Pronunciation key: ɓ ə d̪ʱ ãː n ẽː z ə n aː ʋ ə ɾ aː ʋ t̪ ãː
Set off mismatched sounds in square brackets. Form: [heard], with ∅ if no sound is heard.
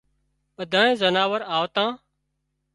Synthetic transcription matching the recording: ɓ ə d̪ʱ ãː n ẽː z ə n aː ʋ ə ɾ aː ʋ t̪ ãː